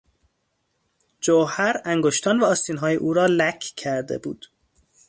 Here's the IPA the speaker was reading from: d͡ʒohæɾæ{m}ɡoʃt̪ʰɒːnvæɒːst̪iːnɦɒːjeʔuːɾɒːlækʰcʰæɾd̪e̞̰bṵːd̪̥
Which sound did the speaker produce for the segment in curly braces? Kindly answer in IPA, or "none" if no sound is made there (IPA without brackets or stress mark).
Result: ŋ